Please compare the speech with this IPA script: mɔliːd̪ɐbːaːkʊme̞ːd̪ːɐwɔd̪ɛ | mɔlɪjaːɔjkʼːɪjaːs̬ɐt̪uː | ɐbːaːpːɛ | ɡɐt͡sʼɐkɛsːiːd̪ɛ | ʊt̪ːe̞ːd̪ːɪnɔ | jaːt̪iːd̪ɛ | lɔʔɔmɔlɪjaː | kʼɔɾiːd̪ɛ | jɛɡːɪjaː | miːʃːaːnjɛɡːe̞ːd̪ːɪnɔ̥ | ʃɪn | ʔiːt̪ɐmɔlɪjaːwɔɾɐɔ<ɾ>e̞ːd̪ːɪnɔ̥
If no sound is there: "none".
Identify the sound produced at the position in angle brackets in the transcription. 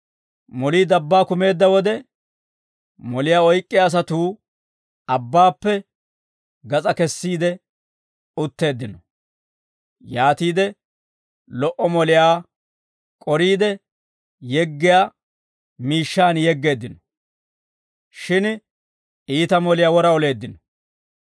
l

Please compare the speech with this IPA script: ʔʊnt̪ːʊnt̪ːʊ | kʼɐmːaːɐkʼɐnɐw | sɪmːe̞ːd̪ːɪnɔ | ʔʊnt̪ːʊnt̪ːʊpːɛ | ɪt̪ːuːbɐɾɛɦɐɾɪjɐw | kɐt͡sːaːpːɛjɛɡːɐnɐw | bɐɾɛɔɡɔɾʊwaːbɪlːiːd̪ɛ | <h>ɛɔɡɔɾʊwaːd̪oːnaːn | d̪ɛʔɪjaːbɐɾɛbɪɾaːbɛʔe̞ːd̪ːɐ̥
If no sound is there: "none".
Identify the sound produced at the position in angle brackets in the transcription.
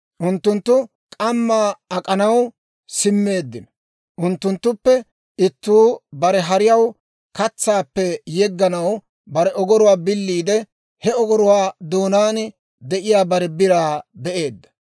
h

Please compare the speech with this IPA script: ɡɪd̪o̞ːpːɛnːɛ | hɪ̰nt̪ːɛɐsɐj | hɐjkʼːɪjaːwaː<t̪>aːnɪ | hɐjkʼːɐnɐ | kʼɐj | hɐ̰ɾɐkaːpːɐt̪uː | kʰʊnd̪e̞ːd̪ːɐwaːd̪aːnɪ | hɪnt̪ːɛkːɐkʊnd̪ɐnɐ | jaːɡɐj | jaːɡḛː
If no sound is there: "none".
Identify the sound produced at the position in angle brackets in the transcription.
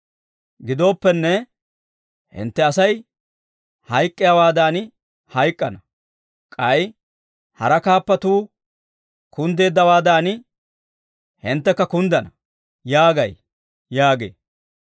d̪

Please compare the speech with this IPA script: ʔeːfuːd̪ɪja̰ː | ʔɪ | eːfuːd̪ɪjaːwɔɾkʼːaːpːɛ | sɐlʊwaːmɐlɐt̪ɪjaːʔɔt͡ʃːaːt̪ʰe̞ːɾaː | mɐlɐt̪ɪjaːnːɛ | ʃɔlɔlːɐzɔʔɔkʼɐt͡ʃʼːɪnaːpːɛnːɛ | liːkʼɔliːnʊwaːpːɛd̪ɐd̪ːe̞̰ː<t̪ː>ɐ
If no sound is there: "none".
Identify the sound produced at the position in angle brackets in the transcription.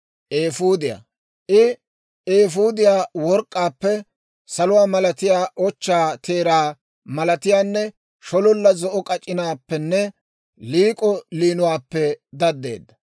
d̪ː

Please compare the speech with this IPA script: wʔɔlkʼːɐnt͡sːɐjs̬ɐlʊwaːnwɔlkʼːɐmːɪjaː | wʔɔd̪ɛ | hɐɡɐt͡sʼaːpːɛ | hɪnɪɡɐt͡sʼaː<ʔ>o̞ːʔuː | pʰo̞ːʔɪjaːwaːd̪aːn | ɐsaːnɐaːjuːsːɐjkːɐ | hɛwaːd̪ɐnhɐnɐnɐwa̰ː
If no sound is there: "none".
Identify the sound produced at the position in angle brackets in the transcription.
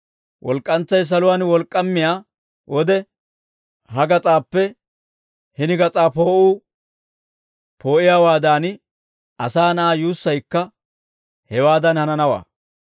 p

